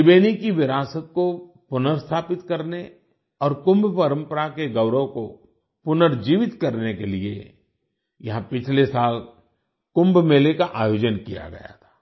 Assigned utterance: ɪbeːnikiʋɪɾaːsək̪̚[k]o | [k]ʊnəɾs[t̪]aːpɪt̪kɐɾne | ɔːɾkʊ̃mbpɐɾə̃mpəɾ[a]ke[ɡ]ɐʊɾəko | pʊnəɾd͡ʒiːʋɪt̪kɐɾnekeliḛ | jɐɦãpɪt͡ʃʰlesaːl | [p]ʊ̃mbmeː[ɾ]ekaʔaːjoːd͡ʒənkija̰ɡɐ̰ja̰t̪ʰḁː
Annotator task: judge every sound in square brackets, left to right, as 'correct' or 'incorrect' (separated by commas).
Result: correct, incorrect, incorrect, correct, correct, incorrect, incorrect